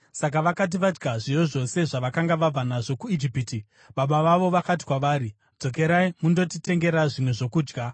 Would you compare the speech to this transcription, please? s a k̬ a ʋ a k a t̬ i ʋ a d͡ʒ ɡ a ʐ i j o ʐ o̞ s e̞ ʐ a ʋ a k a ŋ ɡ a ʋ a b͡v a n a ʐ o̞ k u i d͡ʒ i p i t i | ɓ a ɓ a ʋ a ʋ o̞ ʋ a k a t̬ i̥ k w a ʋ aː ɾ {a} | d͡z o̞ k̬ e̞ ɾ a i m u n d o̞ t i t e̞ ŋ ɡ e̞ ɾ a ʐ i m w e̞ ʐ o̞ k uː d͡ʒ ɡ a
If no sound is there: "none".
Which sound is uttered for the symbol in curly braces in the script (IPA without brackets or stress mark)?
i